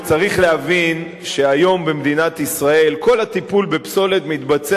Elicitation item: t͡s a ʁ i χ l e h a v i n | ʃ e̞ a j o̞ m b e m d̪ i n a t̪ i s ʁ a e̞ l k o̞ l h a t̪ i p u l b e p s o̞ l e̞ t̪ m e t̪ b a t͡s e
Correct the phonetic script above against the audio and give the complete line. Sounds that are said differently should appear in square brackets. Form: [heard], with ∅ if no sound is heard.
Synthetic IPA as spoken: t͡s a ʁ i χ l e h a v i n | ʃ e̞ a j o̞ m b e m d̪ i n a t̪ i s ʁ a e̞ l k o̞ l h a t̪ i p u l b e p s o̞ l e̞ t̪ m [i] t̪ b a t͡s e